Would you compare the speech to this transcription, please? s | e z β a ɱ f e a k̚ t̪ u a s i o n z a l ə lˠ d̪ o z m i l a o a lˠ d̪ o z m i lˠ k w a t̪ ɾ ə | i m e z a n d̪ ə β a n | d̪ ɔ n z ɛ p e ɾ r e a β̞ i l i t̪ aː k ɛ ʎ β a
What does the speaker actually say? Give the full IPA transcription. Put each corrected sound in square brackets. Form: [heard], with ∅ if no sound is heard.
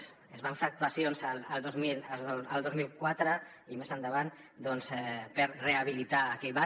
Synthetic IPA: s | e z β a ɱ f e a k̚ t̪ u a s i o n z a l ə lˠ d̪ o z m i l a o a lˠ d̪ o z m i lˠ k w a t̪ ɾ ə | i m e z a n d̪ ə β a n | d̪ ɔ n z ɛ p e ɾ r e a β̞ i l i t̪ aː k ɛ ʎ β a